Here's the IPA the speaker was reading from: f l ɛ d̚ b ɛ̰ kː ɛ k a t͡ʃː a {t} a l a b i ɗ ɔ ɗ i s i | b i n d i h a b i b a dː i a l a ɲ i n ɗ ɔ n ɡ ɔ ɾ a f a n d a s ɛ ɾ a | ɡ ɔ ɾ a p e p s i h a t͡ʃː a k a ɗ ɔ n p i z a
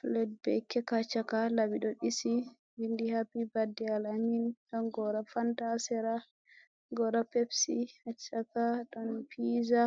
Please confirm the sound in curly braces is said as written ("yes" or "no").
no